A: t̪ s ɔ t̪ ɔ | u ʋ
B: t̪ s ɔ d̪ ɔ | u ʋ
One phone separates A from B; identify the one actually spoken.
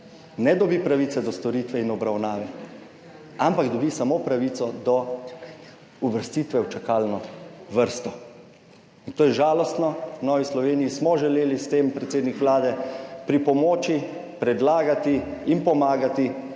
B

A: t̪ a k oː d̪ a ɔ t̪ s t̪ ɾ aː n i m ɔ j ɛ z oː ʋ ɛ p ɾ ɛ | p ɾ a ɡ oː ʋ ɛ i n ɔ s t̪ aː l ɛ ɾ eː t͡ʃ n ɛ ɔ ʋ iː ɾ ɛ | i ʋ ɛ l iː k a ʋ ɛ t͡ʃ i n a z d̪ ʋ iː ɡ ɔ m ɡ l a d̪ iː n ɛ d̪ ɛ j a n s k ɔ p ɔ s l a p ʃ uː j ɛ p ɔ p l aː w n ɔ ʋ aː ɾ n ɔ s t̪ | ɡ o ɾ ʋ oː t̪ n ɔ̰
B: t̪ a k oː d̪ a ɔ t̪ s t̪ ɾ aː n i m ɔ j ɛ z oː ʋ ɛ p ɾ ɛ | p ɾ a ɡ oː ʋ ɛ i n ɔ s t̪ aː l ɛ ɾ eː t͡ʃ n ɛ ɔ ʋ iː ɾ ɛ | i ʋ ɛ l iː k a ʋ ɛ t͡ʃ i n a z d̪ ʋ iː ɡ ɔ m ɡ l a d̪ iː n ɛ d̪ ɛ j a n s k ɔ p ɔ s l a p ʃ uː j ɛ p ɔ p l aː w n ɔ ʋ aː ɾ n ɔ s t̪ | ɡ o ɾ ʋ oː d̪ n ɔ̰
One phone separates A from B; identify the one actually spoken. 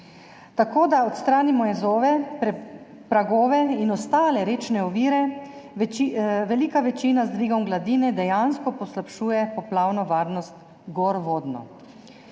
B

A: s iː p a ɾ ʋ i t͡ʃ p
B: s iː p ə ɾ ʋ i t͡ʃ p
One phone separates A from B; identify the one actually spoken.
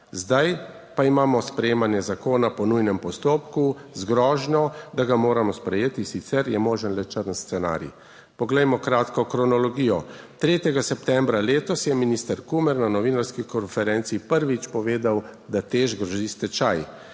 B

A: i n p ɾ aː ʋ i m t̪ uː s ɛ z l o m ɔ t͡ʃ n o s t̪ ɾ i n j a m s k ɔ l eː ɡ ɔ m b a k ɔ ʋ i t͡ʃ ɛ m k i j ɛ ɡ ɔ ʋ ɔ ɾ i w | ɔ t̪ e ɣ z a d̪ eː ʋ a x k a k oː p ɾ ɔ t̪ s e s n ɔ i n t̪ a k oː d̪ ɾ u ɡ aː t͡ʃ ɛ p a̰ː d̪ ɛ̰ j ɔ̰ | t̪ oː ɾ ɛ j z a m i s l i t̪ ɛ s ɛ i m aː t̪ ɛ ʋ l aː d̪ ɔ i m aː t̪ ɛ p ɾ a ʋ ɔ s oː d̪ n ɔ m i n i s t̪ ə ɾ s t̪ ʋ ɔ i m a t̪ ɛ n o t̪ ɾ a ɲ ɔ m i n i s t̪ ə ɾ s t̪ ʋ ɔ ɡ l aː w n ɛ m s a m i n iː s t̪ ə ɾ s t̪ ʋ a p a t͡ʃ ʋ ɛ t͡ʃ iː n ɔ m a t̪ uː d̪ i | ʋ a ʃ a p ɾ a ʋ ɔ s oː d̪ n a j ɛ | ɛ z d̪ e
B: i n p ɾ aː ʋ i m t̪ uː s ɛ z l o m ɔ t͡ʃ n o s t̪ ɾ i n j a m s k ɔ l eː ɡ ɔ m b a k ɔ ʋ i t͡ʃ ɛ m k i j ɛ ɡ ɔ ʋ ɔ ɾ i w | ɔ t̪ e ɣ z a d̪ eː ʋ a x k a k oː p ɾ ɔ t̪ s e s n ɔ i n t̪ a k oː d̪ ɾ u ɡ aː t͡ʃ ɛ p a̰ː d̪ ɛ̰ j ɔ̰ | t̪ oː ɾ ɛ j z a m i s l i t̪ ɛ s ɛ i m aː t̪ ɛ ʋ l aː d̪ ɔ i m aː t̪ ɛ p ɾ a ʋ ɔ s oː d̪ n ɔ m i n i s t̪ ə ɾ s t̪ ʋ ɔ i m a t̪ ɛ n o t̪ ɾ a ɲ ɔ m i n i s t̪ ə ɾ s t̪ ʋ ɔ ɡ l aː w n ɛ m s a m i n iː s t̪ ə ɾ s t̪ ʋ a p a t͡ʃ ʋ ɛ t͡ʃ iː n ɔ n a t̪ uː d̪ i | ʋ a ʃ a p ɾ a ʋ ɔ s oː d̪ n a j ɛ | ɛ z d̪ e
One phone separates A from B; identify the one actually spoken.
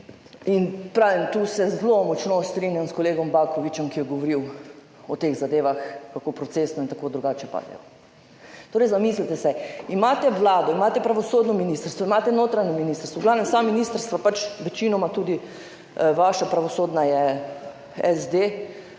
A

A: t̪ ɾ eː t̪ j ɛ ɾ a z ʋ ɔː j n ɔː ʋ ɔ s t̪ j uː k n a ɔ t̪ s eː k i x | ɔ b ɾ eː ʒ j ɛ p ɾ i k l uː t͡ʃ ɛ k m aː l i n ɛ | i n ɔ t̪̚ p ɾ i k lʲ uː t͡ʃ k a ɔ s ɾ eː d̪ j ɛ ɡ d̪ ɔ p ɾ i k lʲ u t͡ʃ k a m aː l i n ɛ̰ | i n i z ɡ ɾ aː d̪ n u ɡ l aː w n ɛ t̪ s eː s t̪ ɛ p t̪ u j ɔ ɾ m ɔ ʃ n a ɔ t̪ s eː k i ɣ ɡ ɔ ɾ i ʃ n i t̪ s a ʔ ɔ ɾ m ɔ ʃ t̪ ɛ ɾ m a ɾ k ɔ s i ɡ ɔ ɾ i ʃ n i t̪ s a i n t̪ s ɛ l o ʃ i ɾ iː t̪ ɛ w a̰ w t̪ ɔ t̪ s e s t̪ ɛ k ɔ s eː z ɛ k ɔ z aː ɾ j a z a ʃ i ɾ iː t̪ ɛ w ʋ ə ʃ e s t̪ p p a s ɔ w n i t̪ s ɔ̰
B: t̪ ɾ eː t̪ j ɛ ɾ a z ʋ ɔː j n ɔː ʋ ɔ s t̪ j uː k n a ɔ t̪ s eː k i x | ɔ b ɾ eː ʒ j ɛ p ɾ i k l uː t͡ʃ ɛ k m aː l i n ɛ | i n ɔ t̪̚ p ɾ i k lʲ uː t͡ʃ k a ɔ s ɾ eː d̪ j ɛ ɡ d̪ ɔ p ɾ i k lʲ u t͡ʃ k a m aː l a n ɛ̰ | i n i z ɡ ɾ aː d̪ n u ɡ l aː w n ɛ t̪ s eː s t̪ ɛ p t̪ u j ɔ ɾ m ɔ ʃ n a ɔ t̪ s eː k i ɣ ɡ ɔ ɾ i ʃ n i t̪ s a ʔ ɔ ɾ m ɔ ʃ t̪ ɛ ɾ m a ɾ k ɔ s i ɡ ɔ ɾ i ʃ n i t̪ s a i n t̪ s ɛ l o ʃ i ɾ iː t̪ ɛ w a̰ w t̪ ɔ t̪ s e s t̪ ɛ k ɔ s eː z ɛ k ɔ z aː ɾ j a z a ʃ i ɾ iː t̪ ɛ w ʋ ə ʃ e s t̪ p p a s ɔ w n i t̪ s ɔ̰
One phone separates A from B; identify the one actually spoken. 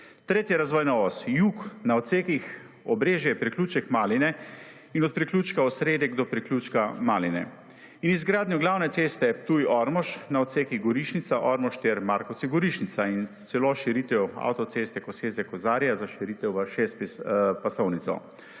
A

